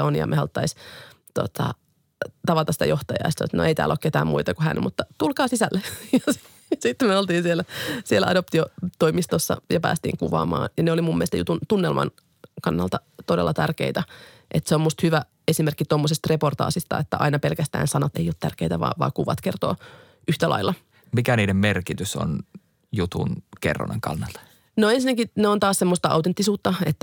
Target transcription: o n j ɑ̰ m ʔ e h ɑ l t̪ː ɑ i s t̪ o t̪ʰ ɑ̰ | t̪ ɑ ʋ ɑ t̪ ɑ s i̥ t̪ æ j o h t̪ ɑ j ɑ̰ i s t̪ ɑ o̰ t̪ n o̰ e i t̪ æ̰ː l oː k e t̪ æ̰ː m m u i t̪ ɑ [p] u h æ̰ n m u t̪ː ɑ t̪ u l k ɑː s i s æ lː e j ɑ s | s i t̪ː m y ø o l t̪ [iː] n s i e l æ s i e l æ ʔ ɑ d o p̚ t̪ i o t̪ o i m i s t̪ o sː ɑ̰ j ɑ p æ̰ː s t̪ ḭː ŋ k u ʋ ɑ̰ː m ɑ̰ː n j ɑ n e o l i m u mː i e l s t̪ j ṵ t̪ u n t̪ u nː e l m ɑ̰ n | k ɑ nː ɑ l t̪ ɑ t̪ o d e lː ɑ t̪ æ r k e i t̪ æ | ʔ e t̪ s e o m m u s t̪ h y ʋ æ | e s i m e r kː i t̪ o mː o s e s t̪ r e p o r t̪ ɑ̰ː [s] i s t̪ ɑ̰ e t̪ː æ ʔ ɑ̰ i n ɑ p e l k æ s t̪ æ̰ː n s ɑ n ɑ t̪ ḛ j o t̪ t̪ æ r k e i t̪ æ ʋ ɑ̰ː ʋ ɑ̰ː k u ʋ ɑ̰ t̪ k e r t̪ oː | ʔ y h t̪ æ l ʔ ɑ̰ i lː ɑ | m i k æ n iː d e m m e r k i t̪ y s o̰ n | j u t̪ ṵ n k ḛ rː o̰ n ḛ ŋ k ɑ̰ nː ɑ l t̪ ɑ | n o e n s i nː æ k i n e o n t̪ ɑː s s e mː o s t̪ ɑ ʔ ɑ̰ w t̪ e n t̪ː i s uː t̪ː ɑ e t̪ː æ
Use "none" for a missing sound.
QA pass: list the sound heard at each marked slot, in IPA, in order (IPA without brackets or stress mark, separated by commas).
k, iː, s